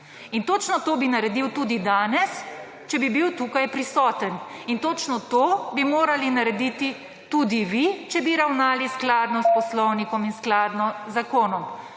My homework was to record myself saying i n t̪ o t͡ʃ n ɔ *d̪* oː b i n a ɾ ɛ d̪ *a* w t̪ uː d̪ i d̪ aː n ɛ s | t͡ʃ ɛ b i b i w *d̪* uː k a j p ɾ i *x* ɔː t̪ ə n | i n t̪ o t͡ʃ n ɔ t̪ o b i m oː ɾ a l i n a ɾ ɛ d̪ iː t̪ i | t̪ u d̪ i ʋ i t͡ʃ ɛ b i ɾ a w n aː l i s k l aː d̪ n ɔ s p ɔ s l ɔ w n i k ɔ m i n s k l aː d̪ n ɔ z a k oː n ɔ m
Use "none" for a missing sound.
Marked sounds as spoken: t̪, i, t̪, s

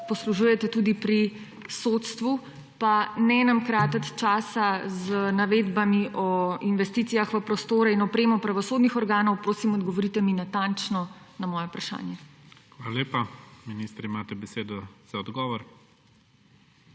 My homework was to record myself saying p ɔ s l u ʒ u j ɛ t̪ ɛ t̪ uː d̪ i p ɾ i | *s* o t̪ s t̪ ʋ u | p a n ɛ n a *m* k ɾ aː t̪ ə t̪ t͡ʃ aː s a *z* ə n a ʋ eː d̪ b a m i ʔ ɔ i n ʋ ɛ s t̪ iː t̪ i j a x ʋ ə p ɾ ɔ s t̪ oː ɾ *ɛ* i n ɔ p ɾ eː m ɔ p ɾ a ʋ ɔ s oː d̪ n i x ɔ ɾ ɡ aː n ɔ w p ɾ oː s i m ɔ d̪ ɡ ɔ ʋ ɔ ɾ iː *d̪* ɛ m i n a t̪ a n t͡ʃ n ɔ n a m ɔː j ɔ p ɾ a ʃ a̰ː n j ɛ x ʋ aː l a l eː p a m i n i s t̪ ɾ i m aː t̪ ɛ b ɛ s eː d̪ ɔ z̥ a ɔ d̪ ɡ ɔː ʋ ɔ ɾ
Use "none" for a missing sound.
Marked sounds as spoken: s, m, z, ɛ, t̪

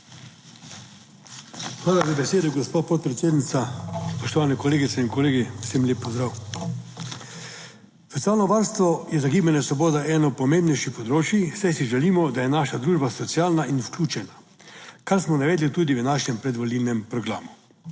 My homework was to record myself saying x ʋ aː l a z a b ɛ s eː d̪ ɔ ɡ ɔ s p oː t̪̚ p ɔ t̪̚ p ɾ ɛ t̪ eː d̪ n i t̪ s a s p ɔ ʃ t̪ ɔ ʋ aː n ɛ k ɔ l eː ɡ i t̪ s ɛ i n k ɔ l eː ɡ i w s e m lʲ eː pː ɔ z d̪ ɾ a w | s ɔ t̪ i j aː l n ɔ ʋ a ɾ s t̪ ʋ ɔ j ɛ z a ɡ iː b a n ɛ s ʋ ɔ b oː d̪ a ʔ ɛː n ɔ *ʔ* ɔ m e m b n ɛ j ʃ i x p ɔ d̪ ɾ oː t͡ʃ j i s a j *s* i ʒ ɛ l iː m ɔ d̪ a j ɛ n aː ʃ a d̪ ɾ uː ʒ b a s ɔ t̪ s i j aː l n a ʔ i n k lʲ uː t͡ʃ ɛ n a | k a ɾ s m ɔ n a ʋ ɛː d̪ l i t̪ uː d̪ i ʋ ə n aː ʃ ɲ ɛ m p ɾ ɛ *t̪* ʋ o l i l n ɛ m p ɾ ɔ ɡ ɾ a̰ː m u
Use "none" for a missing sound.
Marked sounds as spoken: p, s, d̪

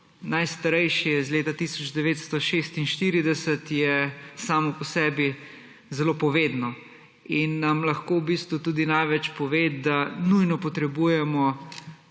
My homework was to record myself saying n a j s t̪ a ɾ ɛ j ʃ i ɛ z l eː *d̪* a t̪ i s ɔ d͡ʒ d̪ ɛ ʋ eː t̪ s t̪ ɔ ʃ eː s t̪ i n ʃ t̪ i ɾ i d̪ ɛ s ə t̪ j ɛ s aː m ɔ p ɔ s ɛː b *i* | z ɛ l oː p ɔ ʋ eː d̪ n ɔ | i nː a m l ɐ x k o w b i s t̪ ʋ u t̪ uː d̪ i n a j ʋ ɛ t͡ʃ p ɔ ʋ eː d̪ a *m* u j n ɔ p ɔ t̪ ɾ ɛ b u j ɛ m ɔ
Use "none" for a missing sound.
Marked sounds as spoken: t̪, i, n

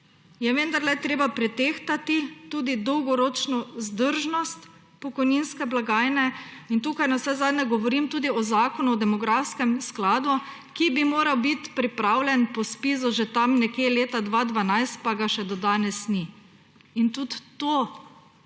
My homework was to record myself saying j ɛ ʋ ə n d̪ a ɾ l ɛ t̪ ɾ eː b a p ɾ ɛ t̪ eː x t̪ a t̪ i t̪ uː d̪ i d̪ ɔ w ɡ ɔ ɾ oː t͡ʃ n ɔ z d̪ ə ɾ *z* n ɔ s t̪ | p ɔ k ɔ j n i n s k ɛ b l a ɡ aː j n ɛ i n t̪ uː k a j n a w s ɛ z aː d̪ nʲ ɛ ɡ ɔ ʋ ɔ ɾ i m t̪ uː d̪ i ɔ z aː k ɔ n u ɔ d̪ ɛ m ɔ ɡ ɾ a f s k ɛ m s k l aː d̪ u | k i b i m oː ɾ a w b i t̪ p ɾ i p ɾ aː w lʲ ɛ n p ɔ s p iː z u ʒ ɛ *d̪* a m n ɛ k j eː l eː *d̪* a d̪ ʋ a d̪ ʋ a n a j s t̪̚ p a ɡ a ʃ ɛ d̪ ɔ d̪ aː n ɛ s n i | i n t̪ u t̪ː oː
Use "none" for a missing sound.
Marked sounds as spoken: ʒ, t̪, t̪

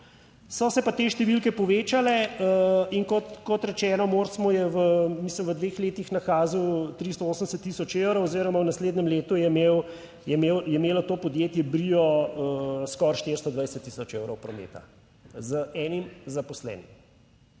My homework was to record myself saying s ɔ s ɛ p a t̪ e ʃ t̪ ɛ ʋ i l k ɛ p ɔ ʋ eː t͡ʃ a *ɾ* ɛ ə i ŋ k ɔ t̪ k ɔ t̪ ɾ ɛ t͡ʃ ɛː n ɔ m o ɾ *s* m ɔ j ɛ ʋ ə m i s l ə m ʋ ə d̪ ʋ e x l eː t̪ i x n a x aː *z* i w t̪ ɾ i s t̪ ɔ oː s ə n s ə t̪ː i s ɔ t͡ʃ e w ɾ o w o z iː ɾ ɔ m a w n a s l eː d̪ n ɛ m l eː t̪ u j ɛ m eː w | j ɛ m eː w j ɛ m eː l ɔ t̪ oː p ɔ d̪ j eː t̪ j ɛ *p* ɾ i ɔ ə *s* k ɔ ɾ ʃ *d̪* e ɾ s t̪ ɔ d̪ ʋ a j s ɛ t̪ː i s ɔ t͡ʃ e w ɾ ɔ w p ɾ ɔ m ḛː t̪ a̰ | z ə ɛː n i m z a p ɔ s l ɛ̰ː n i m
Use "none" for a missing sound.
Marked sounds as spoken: l, s, z, b, s, t̪

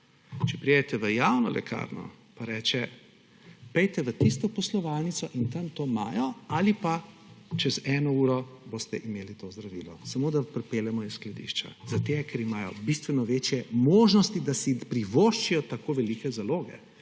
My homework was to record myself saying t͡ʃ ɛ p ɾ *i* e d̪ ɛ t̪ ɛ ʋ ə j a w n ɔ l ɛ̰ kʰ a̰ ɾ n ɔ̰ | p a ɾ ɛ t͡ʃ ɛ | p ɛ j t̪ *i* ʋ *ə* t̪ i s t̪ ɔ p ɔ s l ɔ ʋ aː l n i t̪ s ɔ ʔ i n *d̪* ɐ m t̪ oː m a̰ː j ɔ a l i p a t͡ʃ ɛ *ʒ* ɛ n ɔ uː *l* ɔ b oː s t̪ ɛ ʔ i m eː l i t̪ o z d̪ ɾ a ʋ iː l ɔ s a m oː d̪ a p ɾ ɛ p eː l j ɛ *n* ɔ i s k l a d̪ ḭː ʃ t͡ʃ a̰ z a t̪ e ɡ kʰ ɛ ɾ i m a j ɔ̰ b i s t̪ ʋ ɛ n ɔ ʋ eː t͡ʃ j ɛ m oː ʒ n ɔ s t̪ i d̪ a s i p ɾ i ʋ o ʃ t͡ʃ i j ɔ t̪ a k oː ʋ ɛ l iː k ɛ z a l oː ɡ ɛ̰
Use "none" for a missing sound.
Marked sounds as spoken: i, ɛ, ə, t̪, z, ɾ, m

